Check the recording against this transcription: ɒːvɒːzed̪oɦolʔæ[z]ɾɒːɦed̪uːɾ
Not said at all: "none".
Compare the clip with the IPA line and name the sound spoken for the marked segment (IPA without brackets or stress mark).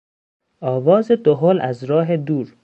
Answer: z